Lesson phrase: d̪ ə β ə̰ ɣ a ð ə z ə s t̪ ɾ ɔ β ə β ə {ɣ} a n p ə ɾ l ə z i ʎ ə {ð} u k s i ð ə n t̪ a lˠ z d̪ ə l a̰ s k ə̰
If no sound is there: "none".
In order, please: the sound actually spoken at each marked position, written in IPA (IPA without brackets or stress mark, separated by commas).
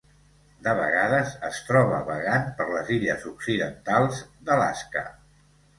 ɣ, z